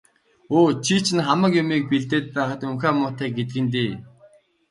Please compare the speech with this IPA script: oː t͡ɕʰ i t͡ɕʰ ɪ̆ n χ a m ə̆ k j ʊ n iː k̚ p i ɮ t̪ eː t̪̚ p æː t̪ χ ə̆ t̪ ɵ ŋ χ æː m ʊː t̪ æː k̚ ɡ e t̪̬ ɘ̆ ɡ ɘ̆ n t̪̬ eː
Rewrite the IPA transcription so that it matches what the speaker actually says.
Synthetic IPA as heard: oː t͡ɕʰ i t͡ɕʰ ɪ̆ n χ a m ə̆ k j ʊ m iː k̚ p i ɮ t̪ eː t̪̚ p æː χ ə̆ t̪ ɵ ŋ x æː m ʊː t̪ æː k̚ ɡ e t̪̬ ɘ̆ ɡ ɘ̆ n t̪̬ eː